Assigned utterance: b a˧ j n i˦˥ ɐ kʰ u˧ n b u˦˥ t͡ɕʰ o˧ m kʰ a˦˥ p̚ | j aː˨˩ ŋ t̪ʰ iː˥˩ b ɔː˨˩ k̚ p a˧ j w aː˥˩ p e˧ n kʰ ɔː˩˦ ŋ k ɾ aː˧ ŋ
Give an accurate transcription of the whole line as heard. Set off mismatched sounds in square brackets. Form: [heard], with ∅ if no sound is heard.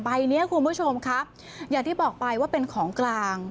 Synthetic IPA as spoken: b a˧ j n i˦˥ ɐ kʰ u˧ n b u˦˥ t͡ɕʰ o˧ m kʰ a˦˥ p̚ | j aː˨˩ ŋ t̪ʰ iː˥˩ b ɔː˨˩ k̚ p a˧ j w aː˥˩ p e˧ n kʰ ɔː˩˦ ŋ k [l] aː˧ ŋ